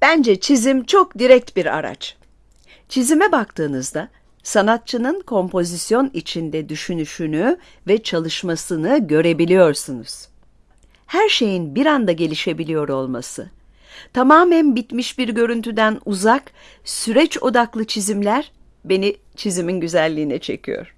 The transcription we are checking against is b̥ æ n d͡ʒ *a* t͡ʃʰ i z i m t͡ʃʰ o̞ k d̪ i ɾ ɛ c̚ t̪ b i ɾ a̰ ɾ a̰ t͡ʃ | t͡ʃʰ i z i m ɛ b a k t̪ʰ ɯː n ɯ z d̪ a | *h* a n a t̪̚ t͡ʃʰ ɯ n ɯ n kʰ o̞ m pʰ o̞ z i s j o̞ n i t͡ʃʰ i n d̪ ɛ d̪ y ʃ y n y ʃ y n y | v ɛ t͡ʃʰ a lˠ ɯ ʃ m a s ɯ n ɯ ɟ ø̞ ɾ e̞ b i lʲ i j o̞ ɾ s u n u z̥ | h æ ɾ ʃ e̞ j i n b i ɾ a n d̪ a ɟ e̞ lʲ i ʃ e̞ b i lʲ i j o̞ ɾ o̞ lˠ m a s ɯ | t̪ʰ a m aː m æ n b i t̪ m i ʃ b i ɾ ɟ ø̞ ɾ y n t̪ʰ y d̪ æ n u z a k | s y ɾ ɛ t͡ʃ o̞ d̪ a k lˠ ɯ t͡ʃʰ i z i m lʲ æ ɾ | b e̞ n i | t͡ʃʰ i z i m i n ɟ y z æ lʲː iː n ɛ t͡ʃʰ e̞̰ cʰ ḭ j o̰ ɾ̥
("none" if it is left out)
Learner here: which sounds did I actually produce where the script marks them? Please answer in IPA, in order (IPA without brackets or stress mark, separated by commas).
ɛ, s